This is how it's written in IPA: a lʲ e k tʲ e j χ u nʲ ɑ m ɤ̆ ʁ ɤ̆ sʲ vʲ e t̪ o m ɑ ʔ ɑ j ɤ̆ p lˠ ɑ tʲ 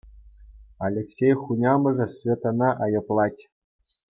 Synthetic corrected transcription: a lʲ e k sʲ e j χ u nʲ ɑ m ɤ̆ ʐ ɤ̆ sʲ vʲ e t̪ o n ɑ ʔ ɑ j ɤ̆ p lˠ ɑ tʲ